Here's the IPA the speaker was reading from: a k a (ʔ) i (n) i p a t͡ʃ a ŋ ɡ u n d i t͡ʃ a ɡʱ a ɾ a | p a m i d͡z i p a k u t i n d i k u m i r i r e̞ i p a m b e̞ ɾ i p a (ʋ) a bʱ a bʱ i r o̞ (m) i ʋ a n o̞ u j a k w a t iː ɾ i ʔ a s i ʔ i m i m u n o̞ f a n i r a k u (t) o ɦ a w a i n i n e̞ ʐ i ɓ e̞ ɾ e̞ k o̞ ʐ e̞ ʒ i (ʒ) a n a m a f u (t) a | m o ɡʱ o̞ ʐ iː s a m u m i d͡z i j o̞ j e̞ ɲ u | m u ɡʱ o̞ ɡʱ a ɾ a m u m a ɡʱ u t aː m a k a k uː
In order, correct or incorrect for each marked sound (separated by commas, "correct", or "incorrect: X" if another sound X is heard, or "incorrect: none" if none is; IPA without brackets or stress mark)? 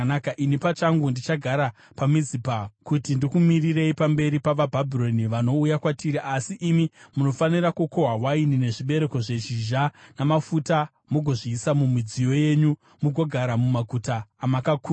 correct, correct, correct, incorrect: n, incorrect: k, correct, correct